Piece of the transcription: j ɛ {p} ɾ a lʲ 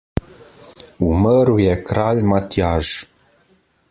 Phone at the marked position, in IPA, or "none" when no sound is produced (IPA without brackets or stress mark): k